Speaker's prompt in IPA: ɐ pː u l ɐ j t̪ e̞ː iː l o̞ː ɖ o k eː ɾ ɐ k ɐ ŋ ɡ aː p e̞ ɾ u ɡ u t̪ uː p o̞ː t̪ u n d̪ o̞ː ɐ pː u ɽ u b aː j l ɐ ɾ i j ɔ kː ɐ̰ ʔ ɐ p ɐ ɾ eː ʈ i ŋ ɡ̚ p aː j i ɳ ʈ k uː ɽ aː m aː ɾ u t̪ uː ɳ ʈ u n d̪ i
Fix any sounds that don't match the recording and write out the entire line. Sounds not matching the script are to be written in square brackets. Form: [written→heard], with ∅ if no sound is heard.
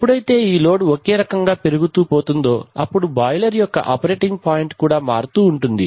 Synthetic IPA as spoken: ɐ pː u [l→ɽ] ɐ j t̪ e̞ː iː l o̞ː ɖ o k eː ɾ ɐ k ɐ ŋ ɡ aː p e̞ ɾ u ɡ u t̪ uː p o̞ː t̪ u n d̪ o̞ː ɐ pː u ɽ u b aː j l ɐ ɾ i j ɔ kː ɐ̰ ʔ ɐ p ɐ ɾ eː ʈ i ŋ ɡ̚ p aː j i ɳ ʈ k uː ɽ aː m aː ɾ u t̪ uː ɳ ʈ u n d̪ i